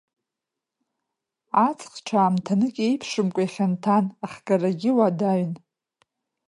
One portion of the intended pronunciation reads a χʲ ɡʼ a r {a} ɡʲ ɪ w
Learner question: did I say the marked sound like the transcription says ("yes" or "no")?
yes